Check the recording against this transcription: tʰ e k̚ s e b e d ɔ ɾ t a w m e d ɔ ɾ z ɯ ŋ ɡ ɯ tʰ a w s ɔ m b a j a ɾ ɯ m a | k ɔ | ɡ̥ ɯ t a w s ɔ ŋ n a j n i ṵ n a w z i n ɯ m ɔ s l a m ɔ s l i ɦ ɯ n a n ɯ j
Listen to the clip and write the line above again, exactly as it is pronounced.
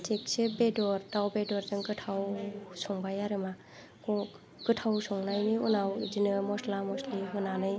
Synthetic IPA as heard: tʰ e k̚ s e b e d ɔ ɾ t a w b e d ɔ ɾ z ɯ ŋ ɡ ɯ tʰ a w s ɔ ŋ b a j a ɾ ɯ m a | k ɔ | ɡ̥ ɯ tʰ a w s ɔ ŋ n a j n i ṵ n a w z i n ɯ m ɔ s l a m ɔ s l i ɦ ɯ n a n ɯ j